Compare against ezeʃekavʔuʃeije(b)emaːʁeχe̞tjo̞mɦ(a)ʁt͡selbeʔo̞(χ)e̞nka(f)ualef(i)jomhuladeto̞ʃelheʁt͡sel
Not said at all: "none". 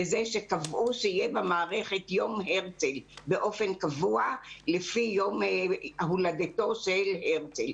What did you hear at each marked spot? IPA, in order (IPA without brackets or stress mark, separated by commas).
b, e, f, v, i